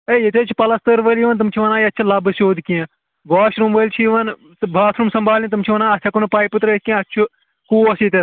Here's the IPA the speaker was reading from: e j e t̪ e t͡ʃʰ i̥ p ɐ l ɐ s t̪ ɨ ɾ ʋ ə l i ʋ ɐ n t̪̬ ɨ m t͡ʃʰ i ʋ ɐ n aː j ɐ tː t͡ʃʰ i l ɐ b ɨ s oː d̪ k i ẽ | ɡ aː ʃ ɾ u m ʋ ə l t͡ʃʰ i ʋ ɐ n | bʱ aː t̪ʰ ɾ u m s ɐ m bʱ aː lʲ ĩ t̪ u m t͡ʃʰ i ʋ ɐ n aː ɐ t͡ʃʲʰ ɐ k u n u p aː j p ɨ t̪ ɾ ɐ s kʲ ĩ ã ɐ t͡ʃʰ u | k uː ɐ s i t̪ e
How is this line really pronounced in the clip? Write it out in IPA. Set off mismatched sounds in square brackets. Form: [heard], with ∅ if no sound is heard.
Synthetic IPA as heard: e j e t̪ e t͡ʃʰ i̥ p ɐ l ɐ s t̪ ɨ ɾ ʋ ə l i ʋ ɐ n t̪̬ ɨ m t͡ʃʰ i ʋ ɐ n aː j ɐ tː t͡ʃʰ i l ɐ b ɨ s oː d̪ k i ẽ | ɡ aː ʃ ɾ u m ʋ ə l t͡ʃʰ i ʋ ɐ n | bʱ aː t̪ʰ ɾ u m s ɐ m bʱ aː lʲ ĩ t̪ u m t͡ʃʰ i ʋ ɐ n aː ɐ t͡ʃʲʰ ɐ k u n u p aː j p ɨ t̪ ɾ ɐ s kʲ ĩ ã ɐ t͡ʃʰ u | k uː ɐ s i t̪ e